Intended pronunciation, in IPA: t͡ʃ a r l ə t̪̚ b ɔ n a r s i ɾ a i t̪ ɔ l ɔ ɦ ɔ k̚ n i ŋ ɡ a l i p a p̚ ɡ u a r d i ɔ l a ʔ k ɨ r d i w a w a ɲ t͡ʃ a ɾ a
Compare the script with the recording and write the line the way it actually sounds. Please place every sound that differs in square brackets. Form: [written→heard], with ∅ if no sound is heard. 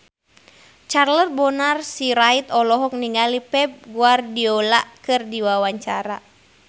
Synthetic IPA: t͡ʃ a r l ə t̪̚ b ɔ n a r s i ɾ a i t̪ ɔ l ɔ ɦ ɔ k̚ n i ŋ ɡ a l i p [a→ɛ] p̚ ɡ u a r d i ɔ l a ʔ k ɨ r d i w a w a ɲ t͡ʃ a ɾ a